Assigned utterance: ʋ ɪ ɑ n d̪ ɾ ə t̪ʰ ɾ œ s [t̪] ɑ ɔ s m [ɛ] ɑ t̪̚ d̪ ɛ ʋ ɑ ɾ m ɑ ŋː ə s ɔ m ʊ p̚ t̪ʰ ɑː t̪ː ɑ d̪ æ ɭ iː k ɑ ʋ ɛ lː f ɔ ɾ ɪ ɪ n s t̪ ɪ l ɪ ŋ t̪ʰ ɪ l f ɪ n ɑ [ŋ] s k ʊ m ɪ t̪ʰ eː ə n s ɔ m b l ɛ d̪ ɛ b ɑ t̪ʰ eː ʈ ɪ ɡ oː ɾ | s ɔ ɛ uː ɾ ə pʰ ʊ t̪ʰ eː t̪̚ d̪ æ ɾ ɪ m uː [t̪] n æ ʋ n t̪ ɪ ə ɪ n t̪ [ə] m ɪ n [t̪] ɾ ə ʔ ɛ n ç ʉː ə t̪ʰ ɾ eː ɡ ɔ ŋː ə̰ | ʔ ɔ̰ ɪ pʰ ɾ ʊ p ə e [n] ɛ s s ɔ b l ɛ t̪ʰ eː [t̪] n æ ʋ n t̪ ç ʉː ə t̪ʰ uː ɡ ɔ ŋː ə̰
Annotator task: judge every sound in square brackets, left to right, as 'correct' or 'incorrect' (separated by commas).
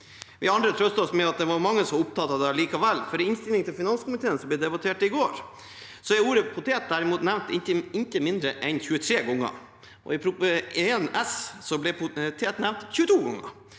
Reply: correct, correct, incorrect, correct, correct, incorrect, correct, correct